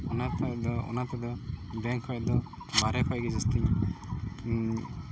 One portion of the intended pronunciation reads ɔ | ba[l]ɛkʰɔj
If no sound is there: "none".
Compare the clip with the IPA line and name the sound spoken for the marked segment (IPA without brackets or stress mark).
ɾ